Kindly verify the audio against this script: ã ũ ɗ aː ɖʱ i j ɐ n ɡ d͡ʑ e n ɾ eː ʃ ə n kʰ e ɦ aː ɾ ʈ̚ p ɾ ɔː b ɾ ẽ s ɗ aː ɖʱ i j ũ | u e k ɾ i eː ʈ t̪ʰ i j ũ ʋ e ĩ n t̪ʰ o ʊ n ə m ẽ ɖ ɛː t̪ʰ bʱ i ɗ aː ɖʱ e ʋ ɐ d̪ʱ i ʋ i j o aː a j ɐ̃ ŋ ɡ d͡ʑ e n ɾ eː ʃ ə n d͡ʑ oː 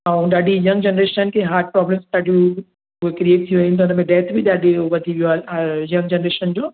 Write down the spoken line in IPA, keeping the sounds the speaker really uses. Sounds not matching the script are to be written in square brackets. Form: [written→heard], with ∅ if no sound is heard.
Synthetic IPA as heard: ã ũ ɗ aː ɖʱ i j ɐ [n→ŋ] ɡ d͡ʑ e n ɾ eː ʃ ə n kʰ e ɦ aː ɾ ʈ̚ p ɾ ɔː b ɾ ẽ s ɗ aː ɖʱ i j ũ | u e k ɾ i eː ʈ t̪ʰ i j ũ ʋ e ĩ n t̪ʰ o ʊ n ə m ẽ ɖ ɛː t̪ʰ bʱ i ɗ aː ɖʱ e ʋ ɐ d̪ʱ i ʋ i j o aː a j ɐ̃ ŋ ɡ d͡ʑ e n ɾ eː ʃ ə n d͡ʑ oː

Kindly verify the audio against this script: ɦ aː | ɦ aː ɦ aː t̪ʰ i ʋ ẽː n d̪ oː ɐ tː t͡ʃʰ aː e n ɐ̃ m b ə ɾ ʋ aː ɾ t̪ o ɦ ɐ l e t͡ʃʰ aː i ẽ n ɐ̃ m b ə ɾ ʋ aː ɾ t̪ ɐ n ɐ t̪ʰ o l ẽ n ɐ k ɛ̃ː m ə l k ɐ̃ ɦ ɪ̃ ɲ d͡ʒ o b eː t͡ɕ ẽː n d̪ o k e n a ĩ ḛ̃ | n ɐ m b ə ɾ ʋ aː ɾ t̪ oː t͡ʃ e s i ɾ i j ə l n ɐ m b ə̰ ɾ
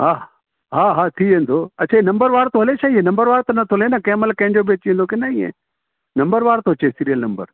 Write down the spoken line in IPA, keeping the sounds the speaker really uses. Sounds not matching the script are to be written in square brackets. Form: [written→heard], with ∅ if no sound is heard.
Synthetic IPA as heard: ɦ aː | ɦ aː ɦ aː t̪ʰ i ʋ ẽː n d̪ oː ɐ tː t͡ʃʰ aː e n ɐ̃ m b ə ɾ ʋ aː ɾ t̪ o ɦ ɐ l e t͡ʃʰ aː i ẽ n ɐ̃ m b ə ɾ ʋ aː ɾ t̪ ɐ n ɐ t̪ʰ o l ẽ n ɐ k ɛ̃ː m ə l k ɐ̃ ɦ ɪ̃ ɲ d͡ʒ o b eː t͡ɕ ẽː n d̪ o k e n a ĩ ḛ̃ | n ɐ m b ə ɾ ʋ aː ɾ t̪ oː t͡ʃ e s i ɾ i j ə l n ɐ m b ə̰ ɾ

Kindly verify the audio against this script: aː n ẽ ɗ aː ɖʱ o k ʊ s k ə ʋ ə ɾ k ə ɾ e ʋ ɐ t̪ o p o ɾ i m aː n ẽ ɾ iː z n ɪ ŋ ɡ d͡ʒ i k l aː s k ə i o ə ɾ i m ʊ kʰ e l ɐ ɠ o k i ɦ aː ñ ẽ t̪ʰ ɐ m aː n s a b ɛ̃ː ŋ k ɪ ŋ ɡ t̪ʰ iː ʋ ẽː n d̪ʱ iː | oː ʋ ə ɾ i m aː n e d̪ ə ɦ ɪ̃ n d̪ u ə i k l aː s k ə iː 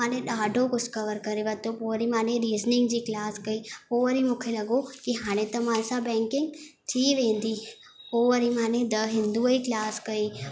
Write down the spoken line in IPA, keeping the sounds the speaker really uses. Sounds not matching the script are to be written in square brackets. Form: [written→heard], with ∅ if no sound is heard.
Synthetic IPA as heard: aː n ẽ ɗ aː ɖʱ o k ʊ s k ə ʋ ə ɾ k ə ɾ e ʋ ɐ t̪ o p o ɾ i m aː n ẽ ɾ iː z n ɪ ŋ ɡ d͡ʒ i k l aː s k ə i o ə ɾ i m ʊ kʰ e l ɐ [ɠ→ɡ] o k i ɦ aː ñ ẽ [t̪ʰ→t̪] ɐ m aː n s a b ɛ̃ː ŋ k ɪ ŋ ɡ t̪ʰ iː ʋ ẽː n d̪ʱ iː | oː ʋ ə ɾ i m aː n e d̪ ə ɦ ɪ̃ n d̪ u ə i k l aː s k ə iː

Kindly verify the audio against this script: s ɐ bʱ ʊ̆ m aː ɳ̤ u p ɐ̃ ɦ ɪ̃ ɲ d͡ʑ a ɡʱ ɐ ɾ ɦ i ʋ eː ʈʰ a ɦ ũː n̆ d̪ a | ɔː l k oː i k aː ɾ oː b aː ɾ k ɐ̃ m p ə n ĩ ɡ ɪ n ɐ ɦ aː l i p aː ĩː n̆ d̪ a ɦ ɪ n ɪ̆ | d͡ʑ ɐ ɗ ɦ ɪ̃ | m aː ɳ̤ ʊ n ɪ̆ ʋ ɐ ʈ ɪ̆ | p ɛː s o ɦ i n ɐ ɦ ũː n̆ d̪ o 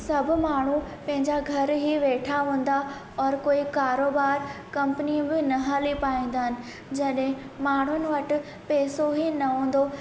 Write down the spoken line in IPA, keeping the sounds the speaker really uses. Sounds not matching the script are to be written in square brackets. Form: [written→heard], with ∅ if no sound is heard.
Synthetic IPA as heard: s ɐ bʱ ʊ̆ m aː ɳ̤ u p ɐ̃ ɦ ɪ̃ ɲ d͡ʑ a ɡʱ ɐ ɾ ɦ i ʋ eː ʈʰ a ɦ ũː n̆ d̪ a | ɔː [l→ɾ] k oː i k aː ɾ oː b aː ɾ k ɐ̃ m p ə n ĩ [ɡ→b] ɪ n ɐ ɦ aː l i p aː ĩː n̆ d̪ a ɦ ɪ n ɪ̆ | d͡ʑ ɐ ɗ ɦ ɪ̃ | m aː ɳ̤ ʊ n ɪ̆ ʋ ɐ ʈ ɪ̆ | p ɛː s o ɦ i n ɐ ɦ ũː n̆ d̪ o

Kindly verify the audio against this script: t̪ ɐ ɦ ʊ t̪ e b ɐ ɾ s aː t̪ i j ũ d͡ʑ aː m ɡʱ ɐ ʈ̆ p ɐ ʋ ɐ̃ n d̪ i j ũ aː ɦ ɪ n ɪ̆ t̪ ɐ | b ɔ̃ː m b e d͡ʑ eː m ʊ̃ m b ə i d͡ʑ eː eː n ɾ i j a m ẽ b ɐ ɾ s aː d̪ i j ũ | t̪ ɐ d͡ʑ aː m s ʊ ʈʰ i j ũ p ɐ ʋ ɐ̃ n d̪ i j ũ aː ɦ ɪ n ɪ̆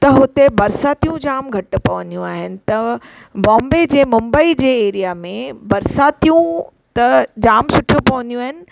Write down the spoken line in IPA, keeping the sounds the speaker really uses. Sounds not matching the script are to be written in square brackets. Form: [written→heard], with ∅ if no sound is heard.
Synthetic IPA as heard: t̪ ɐ ɦ ʊ t̪ e b ɐ ɾ s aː t̪ i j ũ d͡ʑ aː m ɡʱ ɐ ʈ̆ p ɐ ʋ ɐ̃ n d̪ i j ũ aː ɦ ɪ n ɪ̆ t̪ ɐ | b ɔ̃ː m b e d͡ʑ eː m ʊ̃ m b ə i d͡ʑ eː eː [n→∅] ɾ i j a m ẽ b ɐ ɾ s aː [d̪→t̪] i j ũ | t̪ ɐ d͡ʑ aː m s ʊ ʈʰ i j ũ p ɐ ʋ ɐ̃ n d̪ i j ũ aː ɦ ɪ n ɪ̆

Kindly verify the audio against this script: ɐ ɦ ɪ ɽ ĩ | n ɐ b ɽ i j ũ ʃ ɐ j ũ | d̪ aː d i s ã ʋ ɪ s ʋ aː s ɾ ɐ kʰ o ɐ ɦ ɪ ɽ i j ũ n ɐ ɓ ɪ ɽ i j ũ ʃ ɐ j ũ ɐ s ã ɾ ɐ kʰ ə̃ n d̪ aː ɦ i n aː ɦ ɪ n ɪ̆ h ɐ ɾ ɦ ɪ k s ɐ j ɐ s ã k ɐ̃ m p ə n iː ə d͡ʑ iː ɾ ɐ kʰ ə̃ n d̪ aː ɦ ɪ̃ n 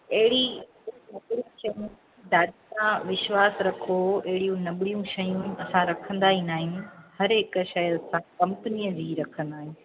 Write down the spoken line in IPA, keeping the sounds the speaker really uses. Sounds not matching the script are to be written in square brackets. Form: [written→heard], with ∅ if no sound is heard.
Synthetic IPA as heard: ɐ ɦ ɪ ɽ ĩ | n ɐ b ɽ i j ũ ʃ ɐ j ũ | d̪ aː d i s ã ʋ ɪ [s→ʃ] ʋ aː s ɾ ɐ kʰ o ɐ ɦ ɪ ɽ i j ũ n ɐ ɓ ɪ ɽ i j ũ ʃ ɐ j ũ ɐ s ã ɾ ɐ kʰ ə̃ n d̪ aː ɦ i n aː ɦ ɪ n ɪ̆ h ɐ ɾ ɦ ɪ k [s→ʃ] ɐ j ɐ s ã k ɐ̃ m p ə n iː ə d͡ʑ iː ɾ ɐ kʰ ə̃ n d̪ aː ɦ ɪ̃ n

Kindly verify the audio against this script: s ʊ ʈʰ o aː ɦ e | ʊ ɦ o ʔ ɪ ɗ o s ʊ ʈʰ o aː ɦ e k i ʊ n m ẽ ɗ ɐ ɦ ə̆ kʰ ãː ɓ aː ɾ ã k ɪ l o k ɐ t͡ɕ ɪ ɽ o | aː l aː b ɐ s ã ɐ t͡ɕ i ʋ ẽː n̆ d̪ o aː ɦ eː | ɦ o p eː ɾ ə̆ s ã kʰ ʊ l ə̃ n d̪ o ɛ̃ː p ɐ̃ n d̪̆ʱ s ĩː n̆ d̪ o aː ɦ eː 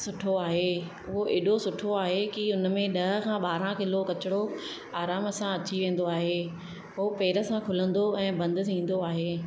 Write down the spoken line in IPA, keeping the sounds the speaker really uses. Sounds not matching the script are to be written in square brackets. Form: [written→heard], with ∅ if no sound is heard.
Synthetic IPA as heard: s ʊ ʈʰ o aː ɦ e | ʊ ɦ o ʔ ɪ ɗ o s ʊ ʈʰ o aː ɦ e k i ʊ n m ẽ ɗ ɐ ɦ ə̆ kʰ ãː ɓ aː ɾ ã k ɪ l o k ɐ t͡ɕ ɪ ɽ o | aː [l→ɾ] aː [b→m] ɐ s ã ɐ t͡ɕ i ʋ ẽː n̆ d̪ o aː ɦ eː | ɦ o p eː ɾ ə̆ s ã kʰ ʊ l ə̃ n d̪ o ɛ̃ː [p→b] ɐ̃ n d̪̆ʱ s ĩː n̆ d̪ o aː ɦ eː

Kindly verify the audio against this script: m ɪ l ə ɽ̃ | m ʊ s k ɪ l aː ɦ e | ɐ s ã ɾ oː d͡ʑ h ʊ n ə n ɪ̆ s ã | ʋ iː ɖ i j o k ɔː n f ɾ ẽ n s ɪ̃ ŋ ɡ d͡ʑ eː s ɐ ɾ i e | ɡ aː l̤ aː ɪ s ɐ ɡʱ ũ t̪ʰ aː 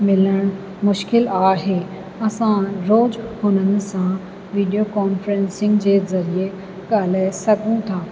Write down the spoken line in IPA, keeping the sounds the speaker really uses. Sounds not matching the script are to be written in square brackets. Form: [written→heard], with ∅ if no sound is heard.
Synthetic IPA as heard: m ɪ l ə ɽ̃ | m ʊ [s→ʃ] k ɪ l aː ɦ e | ɐ s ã ɾ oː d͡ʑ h ʊ n ə n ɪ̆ s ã | ʋ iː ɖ i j o k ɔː n f ɾ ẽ n s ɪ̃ ŋ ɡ d͡ʑ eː [s→z] ɐ ɾ i e | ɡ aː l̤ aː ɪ s ɐ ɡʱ ũ t̪ʰ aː

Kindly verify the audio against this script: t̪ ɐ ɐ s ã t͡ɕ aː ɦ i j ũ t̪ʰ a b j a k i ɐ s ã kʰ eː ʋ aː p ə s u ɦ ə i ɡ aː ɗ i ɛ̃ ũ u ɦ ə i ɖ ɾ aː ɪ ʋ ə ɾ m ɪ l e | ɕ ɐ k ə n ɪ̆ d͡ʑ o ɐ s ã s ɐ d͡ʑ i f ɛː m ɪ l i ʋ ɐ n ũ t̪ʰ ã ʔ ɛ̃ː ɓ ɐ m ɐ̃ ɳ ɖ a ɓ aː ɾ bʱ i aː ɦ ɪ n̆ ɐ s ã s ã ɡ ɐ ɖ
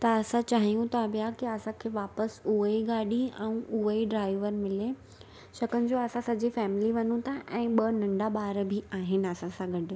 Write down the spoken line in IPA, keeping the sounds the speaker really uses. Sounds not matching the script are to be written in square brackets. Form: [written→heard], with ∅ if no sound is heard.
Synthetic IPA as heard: t̪ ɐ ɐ s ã t͡ɕ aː ɦ i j ũ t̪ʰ a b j a k i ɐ s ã kʰ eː ʋ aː p ə s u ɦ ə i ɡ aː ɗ i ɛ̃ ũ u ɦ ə i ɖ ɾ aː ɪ ʋ ə ɾ m ɪ l e | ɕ ɐ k ə n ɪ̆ d͡ʑ o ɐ s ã s ɐ d͡ʑ i f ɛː m ɪ l i ʋ ɐ n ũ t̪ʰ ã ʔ ɛ̃ː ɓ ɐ [m→n] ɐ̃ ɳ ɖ a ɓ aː ɾ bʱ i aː ɦ ɪ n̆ ɐ s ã s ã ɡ ɐ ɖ

